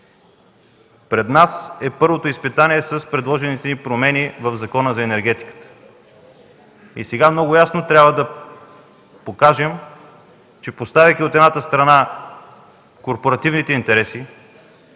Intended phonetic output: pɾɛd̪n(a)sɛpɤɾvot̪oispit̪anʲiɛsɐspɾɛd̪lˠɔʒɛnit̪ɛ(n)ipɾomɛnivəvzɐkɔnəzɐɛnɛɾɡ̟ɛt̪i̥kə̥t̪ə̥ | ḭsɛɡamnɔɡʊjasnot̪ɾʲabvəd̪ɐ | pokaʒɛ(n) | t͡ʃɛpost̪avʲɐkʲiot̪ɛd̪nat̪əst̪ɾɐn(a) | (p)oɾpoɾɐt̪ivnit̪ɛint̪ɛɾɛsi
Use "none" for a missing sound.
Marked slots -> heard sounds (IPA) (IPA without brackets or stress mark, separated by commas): a, n, m, a, k